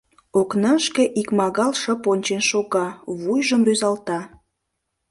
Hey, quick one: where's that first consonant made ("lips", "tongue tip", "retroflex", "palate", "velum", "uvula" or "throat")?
velum